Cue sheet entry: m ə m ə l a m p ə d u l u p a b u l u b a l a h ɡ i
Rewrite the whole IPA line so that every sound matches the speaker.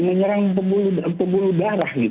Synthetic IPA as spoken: m ə ɲ ə ɾ a ŋ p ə b u l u p ə b u l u d a ɾ a h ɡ i